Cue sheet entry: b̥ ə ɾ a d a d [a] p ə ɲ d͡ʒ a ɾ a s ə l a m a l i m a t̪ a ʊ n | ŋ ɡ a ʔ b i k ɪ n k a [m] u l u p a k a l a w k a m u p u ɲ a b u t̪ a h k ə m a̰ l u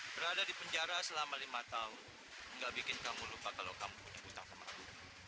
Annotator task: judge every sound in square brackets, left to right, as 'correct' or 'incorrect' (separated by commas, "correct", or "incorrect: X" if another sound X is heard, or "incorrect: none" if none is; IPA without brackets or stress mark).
incorrect: i, correct